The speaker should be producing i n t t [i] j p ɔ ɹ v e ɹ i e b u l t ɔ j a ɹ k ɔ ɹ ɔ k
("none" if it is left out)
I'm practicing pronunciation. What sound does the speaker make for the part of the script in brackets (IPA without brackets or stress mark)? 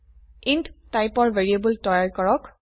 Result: a